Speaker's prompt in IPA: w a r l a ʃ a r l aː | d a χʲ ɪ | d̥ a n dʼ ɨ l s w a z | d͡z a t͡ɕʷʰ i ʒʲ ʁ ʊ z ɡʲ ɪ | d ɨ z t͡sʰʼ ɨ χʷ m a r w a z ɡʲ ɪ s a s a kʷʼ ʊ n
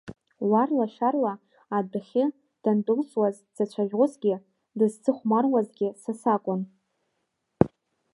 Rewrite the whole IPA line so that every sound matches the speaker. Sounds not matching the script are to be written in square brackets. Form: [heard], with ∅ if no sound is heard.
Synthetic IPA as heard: w a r l a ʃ a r l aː | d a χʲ ɪ | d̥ a n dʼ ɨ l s w a z | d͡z a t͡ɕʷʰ [a] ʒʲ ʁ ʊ z ɡʲ ɪ | d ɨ z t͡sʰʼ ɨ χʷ m a r w a z ɡʲ ɪ s a s a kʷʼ ʊ n